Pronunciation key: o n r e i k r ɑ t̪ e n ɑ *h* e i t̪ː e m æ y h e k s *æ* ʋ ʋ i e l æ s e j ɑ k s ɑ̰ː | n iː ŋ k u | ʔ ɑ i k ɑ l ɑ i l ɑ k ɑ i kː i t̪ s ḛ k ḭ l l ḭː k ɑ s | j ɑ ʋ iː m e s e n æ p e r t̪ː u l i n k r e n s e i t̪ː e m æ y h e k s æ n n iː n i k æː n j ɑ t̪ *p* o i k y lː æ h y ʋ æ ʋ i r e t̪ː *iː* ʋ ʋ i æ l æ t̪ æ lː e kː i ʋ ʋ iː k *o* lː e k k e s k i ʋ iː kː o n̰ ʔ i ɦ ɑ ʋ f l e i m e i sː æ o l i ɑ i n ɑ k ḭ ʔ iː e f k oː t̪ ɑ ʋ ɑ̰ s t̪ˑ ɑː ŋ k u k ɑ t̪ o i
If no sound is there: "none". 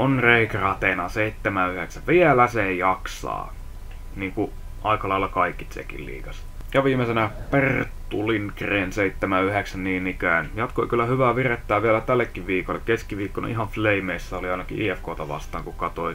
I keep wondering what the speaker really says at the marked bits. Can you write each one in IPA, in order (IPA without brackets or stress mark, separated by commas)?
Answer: s, æ, k, æː, o